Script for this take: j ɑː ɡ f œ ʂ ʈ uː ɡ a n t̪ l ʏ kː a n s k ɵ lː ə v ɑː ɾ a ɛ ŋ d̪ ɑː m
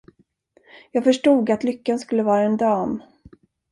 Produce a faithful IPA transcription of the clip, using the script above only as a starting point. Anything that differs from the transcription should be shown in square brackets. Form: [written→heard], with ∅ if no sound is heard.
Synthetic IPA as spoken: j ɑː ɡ f œ ʂ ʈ uː ɡ a [n→∅] t̪ l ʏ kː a n s k ɵ lː ə v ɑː ɾ a ɛ [ŋ→n] d̪ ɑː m